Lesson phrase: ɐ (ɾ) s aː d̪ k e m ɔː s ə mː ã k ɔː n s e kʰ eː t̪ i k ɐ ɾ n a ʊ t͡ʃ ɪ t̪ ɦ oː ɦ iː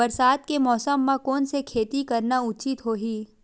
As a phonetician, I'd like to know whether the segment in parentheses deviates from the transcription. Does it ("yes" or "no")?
no